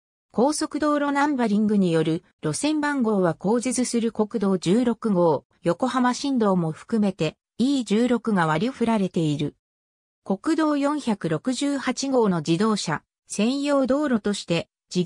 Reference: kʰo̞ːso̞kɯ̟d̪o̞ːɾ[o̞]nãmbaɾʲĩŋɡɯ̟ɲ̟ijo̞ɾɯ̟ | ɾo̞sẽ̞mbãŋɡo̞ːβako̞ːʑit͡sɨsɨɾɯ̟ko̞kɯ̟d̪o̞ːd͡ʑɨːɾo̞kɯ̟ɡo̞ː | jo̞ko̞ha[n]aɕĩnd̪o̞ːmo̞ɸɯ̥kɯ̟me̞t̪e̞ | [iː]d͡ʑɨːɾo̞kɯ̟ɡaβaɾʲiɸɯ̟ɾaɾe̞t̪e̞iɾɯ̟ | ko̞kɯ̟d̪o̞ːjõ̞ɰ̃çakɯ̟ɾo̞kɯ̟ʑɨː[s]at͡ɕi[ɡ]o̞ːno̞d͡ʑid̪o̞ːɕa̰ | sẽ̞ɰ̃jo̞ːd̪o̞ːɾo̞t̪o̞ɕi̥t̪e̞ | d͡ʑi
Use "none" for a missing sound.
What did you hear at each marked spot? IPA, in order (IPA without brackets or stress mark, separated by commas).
o̞, m, iː, h, ɡ